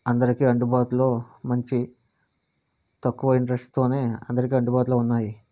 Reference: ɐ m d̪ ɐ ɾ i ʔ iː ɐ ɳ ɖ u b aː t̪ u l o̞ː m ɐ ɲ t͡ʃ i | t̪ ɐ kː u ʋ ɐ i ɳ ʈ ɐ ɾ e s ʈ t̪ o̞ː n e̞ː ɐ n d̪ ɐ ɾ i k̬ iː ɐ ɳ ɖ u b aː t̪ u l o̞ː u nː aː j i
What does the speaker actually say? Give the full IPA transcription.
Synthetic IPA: ɐ n d̪ ɐ ɾ i k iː ɐ ɳ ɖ u b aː t̪ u l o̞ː m ɐ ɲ t͡ʃ i | t̪ ɐ kː u ʋ ɐ i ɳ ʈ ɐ ɾ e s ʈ t̪ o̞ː n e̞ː ɐ n d̪ ɐ ɾ i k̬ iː ɐ ɳ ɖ u b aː t̪ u l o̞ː u nː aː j i